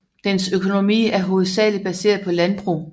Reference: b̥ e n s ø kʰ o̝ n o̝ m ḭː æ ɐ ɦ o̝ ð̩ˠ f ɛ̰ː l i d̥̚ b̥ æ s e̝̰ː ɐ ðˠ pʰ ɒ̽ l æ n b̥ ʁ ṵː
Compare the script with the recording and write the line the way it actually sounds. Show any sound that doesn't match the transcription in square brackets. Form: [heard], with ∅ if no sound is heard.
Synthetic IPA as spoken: [d̥] e n s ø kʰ o̝ n o̝ m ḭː æ ɐ ɦ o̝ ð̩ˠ [s] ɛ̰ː l i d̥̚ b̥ æ s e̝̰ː ɐ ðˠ pʰ ɒ̽ l æ n b̥ ʁ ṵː